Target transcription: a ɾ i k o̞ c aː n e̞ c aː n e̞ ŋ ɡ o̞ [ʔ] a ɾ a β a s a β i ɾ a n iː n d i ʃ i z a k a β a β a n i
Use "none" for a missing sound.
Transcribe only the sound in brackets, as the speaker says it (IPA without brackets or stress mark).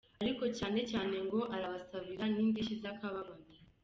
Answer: ʔ